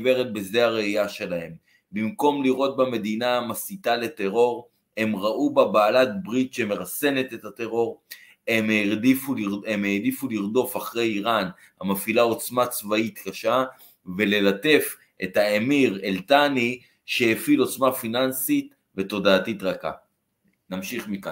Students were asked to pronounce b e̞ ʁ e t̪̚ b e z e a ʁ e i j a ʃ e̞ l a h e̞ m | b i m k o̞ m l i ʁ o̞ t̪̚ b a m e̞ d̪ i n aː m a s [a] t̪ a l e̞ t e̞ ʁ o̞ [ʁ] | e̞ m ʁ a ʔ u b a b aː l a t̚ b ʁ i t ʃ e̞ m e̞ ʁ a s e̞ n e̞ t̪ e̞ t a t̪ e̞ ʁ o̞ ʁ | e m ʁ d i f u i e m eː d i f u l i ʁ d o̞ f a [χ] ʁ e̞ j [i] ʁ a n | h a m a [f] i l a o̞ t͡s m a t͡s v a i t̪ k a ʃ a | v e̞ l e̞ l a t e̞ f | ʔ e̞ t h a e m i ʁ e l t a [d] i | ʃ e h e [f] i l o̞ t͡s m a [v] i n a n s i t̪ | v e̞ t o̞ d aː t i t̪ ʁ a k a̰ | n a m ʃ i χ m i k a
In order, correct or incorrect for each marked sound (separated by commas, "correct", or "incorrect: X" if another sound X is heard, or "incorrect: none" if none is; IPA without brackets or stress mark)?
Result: incorrect: i, correct, correct, correct, correct, incorrect: n, correct, incorrect: f